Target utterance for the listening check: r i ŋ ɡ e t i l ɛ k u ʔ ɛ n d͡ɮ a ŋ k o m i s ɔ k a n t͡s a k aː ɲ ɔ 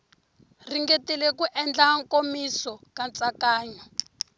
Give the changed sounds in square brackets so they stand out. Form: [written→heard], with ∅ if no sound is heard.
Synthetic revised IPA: r i ŋ ɡ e t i l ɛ k u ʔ ɛ n d͡ɮ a ŋ k o m i s ɔ k a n t͡s a k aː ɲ ɔ